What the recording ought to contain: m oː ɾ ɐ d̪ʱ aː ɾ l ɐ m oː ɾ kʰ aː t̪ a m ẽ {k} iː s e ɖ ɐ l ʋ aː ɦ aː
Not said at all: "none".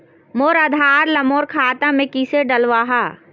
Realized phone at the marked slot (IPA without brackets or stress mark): k